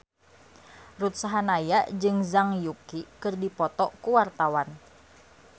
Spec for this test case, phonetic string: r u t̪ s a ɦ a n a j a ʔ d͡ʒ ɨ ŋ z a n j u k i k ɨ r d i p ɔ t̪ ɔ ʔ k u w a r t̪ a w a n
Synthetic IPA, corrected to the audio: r u t̪ s a ɦ a n a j a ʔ d͡ʒ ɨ ŋ z a ŋ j u k i k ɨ r d i p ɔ t̪ ɔ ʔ k u w a r t̪ a w a n